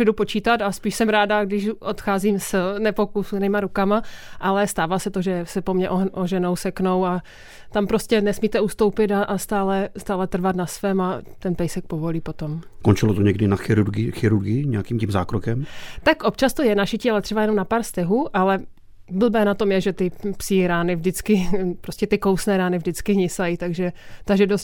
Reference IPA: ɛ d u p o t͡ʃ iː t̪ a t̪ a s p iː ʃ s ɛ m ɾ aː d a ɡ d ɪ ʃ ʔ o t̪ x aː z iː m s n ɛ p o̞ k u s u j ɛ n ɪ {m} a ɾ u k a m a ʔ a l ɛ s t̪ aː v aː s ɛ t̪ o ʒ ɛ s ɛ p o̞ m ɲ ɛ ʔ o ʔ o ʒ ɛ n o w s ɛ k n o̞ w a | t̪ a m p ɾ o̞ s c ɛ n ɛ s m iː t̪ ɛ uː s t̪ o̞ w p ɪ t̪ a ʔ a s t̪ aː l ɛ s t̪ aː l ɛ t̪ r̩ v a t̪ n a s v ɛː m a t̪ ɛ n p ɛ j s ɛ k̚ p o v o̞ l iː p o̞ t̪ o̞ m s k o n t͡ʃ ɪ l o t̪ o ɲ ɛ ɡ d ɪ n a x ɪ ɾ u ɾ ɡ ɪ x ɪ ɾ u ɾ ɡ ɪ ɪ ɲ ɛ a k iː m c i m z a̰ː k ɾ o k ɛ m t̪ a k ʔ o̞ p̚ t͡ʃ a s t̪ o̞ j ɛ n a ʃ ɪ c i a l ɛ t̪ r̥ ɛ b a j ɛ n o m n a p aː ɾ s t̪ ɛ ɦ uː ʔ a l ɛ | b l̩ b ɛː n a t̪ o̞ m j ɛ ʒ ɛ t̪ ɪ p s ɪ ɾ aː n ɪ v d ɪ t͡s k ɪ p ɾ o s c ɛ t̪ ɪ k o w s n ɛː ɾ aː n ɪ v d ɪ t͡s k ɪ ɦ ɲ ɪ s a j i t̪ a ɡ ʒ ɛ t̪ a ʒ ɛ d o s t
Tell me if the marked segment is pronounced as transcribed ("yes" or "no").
yes